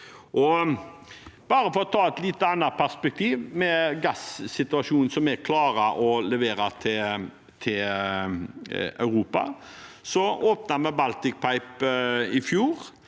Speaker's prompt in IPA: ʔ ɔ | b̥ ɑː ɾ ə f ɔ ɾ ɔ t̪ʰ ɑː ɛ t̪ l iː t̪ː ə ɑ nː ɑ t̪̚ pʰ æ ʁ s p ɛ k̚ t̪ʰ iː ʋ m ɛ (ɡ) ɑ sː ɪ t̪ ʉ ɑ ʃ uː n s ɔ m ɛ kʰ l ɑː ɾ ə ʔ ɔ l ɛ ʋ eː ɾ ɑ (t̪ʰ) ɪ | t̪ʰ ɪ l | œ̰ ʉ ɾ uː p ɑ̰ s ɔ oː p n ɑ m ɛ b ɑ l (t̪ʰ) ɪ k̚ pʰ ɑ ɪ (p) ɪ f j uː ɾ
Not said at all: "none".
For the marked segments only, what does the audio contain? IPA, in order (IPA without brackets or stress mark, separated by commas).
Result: ɡ, t̪ʰ, t̪, p